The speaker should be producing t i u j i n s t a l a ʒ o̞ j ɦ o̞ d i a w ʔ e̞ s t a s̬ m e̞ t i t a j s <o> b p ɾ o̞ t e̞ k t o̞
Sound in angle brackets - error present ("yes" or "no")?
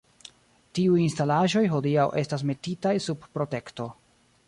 yes